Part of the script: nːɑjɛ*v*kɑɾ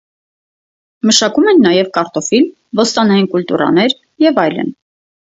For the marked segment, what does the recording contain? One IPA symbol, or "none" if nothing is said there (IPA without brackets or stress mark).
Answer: v